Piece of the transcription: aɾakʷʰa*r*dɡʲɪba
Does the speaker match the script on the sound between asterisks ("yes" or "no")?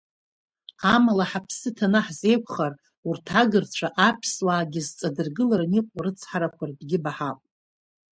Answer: yes